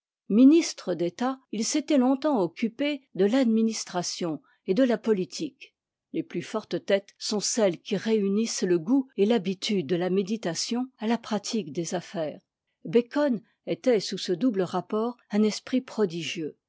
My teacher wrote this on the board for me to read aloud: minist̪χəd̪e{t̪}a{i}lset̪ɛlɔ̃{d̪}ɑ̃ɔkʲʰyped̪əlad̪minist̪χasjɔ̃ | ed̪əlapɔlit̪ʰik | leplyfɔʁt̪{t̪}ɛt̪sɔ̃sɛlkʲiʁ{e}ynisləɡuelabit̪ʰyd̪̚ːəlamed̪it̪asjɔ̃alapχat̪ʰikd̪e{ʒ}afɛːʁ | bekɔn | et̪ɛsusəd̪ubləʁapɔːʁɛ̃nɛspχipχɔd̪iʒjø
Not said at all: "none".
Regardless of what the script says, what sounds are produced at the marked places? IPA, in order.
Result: t̪, i, t̪, t̪, e, z

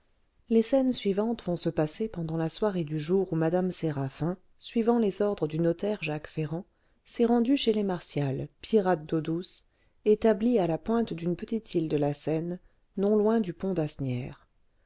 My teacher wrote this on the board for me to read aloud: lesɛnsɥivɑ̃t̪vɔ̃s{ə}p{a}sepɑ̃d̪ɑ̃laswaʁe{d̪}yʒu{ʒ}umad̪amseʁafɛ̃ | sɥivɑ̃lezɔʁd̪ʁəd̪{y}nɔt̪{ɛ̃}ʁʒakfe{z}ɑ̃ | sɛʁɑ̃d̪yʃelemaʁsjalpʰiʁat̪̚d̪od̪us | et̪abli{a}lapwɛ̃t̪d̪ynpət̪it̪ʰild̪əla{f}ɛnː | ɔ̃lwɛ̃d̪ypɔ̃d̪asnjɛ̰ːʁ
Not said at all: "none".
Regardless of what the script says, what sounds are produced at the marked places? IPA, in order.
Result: ə, a, d̪, ʁ, y, ɛ, ʁ, a, s

